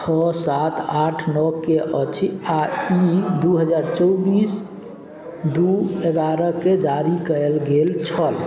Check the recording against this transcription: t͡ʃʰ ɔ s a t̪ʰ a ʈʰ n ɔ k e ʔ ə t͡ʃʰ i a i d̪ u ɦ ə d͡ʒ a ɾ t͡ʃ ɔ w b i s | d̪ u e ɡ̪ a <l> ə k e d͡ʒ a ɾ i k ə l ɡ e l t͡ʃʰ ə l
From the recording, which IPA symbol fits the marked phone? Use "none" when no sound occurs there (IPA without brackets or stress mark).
ɾ